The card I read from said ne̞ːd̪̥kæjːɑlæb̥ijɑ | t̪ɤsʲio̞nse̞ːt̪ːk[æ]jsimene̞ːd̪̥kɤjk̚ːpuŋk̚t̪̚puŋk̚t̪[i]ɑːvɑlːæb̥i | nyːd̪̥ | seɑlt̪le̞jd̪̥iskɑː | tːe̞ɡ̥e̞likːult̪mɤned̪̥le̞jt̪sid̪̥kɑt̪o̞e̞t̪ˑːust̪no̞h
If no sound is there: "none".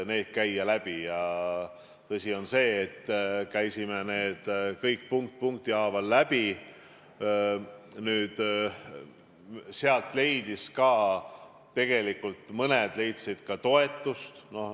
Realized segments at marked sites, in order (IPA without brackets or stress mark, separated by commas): æ, i